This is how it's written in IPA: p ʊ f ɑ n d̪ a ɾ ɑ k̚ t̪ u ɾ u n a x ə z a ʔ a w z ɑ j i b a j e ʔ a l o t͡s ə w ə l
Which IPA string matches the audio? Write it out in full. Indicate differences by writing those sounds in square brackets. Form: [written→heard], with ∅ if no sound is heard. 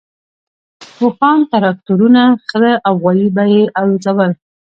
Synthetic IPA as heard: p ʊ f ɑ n [d̪→t̪] a ɾ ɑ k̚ t̪ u ɾ u n a x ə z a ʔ a w [z→ɣ] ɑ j i b a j e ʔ a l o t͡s [ə→a] w ə l